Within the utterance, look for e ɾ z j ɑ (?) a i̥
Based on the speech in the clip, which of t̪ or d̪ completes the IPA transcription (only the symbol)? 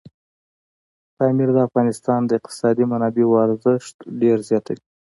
t̪